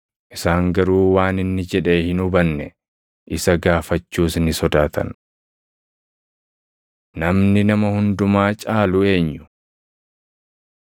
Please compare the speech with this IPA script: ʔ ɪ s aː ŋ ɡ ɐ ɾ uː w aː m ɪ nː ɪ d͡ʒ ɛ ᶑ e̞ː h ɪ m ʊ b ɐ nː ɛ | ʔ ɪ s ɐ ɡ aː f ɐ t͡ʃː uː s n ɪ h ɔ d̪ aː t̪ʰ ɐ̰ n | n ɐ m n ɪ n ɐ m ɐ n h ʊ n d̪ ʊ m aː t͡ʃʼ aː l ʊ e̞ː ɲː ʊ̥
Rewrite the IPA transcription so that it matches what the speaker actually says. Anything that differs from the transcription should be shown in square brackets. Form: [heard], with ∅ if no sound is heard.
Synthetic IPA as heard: ʔ ɪ s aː ŋ ɡ ɐ ɾ uː w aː [n] ɪ nː ɪ d͡ʒ ɛ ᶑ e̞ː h ɪ [n] ʊ b ɐ nː ɛ | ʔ ɪ s ɐ ɡ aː f ɐ t͡ʃː uː s n ɪ [s] ɔ d̪ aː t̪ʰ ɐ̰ n | n ɐ m n ɪ n ɐ m ɐ [∅] h ʊ n d̪ ʊ m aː t͡ʃʼ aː l ʊ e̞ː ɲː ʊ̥